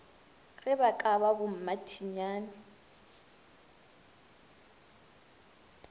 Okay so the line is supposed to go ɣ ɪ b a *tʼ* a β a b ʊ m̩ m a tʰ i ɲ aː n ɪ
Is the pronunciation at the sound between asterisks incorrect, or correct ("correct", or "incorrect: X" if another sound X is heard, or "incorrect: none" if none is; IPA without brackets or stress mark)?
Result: incorrect: kʼ